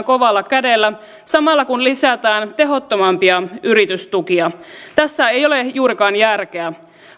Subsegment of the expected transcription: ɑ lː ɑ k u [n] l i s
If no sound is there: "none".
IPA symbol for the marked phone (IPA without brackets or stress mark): n